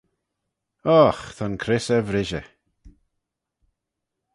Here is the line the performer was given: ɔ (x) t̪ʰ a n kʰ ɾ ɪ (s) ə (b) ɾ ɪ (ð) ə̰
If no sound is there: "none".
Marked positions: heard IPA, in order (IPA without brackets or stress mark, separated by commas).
x, s, v, ʒ